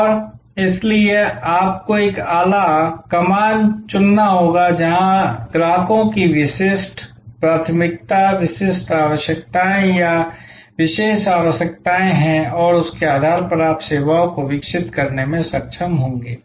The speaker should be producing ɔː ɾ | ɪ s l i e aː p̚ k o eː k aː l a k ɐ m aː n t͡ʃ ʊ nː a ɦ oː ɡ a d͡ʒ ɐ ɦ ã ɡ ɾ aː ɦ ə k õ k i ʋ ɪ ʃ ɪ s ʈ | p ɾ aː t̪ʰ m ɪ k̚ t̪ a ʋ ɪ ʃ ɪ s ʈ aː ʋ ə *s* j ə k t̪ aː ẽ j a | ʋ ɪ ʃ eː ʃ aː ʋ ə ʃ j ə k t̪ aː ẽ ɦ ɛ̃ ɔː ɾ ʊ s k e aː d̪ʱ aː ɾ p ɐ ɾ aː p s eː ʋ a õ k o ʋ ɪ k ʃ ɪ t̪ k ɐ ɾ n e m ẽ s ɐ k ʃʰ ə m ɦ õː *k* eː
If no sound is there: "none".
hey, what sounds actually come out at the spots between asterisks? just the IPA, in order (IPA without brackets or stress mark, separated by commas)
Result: ʃ, ɡ